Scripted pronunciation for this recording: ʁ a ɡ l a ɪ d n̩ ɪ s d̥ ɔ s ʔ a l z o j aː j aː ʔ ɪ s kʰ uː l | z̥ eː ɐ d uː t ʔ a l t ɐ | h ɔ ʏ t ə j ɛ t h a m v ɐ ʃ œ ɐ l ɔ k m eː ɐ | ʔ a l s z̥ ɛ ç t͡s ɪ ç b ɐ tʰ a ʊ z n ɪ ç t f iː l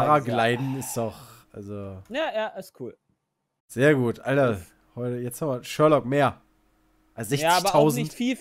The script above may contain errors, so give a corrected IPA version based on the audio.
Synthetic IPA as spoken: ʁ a ɡ l a ɪ d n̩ ɪ s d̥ ɔ χ ʔ a l z o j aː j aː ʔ ɪ s kʰ uː l | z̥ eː ɐ ɡ uː t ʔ a l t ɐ | h ɔ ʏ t ə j ɛ t͡s h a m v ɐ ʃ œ ɐ l ɔ k m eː ɐ | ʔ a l s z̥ ɛ ç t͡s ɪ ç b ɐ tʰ a ʊ z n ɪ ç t f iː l